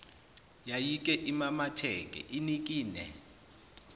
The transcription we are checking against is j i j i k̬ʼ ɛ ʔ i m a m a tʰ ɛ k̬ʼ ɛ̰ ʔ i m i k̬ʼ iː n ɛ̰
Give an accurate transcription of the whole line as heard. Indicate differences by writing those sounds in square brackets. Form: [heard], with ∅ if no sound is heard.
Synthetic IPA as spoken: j [a] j i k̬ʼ ɛ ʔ i m a m a tʰ ɛ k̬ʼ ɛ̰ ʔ i [n] i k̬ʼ iː n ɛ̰